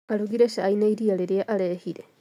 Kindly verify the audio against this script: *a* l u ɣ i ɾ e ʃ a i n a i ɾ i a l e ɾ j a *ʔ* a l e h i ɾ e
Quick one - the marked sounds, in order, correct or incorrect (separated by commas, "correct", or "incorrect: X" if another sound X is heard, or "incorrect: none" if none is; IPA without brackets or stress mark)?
correct, correct